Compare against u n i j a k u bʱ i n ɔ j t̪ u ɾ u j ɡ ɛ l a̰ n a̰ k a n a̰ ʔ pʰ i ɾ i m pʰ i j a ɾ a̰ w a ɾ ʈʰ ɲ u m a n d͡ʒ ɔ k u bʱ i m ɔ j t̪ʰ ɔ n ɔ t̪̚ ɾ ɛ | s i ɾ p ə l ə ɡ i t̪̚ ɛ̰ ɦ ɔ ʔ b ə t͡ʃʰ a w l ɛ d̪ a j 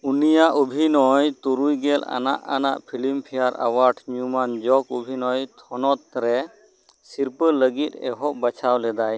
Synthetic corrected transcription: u n i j a ʔ u bʱ i n ɔ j t̪ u ɾ u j ɡ ɛ l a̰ n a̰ ʔ a n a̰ ʔ pʰ i l i m pʰ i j a ɾ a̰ w a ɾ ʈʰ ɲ u m a n d͡ʒ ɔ k u bʱ i n ɔ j t̪ʰ ɔ n ɔ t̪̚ ɾ ɛ | s i ɾ p ə l ə ɡ i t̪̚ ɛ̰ ɦ ɔ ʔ b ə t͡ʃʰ a w l ɛ d̪ a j